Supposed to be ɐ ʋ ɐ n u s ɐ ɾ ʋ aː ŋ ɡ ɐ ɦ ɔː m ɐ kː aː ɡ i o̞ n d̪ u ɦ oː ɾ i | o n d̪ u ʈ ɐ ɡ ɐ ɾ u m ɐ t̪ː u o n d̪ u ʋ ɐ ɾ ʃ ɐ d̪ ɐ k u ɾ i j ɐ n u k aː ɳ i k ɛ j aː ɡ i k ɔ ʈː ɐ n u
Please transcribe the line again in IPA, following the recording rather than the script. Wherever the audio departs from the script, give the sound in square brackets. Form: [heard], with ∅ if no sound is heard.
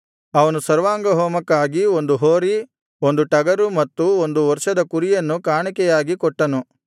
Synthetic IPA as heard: ɐ ʋ ɐ n u s ɐ ɾ ʋ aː ŋ ɡ ɐ ɦ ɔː m ɐ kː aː ɡ i o̞ n d̪ u ɦ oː ɾ i | o n d̪ u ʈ ɐ ɡ ɐ ɾ u m ɐ t̪ː u o n d̪ u ʋ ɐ ɾ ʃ ɐ d̪ ɐ k u ɾ i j ɐ [nː] u k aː ɳ i k ɛ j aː ɡ i k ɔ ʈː ɐ n u

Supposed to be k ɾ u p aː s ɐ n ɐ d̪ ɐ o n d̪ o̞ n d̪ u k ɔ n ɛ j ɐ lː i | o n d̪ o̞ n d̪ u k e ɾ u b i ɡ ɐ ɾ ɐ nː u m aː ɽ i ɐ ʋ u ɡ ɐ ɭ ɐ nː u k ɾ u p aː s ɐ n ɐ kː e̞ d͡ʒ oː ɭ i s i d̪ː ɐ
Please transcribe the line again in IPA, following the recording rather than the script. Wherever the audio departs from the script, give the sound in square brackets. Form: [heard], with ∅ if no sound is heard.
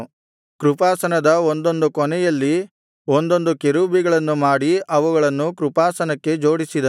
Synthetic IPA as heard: k ɾ u p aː s ɐ n ɐ d̪ ɐ o n d̪ o̞ n d̪ u k ɔ n ɛ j ɐ lː i | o n d̪ o̞ n d̪ u k e ɾ u b i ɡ ɐ [ɭ] ɐ nː u m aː ɽ i ɐ ʋ u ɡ ɐ ɭ ɐ nː u k ɾ u p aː s ɐ n ɐ kː e̞ d͡ʒ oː [ɽ] i s i [d̪] ɐ

